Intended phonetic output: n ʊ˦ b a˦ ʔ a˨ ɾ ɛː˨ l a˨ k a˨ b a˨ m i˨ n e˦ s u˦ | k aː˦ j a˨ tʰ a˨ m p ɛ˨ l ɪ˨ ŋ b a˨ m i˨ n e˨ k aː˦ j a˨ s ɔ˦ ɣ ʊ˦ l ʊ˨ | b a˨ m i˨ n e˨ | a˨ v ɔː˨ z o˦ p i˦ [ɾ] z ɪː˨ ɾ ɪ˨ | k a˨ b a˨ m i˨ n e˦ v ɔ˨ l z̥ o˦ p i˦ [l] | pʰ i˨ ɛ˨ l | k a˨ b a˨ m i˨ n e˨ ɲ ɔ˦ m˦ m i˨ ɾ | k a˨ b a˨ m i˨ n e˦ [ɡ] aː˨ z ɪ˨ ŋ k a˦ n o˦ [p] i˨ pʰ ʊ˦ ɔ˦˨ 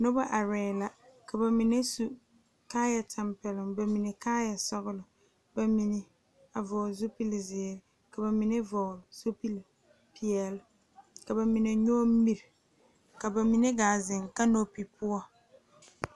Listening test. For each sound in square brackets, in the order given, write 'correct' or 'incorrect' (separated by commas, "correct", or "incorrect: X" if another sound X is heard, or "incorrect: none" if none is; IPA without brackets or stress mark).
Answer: incorrect: l, correct, correct, correct